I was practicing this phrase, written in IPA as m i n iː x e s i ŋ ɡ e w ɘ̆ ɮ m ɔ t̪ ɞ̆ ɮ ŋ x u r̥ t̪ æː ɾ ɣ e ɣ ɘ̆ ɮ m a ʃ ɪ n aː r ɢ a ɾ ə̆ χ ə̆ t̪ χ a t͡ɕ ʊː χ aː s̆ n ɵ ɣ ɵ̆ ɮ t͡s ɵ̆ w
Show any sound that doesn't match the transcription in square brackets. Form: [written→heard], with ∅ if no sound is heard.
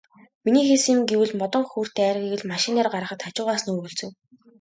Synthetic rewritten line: m i n iː x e s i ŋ ɡ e w ɘ̆ ɮ m ɔ t̪ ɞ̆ [ɮ→∅] ŋ x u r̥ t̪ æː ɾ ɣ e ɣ ɘ̆ ɮ m a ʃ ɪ n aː r ɢ a ɾ ə̆ χ ə̆ t̪ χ a t͡ɕ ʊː [χ→ʁ] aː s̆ n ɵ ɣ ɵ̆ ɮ t͡s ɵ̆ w

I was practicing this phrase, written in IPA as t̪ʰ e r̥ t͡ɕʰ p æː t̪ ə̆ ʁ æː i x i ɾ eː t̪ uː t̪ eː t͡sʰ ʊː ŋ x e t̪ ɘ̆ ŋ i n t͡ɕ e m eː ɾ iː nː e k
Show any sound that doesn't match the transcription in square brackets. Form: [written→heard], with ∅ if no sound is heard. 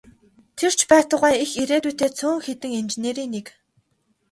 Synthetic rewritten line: t̪ʰ e r̥ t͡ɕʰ p æː t̪ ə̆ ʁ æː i x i ɾ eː t̪ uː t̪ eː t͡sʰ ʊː ŋ x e t̪ ɘ̆ ŋ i n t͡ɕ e [m→n] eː ɾ iː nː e k

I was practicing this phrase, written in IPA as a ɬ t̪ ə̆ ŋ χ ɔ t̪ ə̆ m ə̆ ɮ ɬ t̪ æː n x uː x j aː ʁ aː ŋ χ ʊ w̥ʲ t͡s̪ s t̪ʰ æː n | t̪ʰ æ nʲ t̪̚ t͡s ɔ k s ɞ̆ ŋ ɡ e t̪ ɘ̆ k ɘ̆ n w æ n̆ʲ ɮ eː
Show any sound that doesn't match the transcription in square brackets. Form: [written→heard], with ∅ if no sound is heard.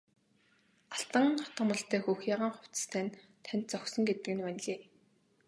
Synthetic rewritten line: a ɬ t̪ ə̆ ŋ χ ɔ t̪ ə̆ m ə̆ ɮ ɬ t̪ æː [n→∅] x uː x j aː ʁ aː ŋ χ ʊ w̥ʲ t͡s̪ s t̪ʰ æː n | t̪ʰ æ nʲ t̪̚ t͡s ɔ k s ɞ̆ ŋ ɡ e t̪ ɘ̆ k ɘ̆ n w æ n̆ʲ ɮ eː

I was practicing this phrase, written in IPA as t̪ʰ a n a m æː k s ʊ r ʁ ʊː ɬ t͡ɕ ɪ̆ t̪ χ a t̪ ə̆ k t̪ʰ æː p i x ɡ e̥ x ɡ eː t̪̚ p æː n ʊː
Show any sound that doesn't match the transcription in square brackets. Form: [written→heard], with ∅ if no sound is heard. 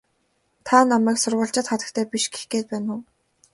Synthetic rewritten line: t̪ʰ a n a m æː k s ʊ r ʁ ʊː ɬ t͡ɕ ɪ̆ t̪ χ a t̪ ə̆ k t̪ʰ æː p i [x→ʃ] ɡ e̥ x ɡ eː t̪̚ p æː n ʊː

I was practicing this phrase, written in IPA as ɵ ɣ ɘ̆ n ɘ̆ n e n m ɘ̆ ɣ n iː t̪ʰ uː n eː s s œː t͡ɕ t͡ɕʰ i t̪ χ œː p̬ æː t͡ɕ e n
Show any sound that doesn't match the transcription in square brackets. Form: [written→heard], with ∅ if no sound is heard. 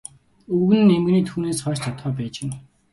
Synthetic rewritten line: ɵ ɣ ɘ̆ n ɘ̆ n e [n→∅] m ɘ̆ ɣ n iː t̪ʰ uː n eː s [s→χ] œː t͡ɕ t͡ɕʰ [i→a] t̪ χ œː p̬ æː t͡ɕ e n

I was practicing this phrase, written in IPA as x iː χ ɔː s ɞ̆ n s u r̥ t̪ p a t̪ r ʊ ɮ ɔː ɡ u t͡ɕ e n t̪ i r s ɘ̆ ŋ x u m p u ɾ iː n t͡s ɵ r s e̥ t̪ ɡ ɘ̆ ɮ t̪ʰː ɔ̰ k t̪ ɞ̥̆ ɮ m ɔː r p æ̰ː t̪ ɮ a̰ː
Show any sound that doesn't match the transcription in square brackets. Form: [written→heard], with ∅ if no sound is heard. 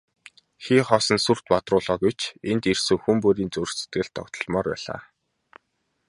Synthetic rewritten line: x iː χ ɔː s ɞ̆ n s u r̥ t̪ p a t̪ r [ʊ→ʊː] ɮ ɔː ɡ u t͡ɕ e n t̪ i r s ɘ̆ ŋ x u m p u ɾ iː n t͡s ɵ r s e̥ t̪ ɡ ɘ̆ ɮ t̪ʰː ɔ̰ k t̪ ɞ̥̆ ɮ m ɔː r p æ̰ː [t̪→∅] ɮ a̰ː

